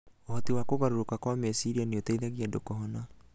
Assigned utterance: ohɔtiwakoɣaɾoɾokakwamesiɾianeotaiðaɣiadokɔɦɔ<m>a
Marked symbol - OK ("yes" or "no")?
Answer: no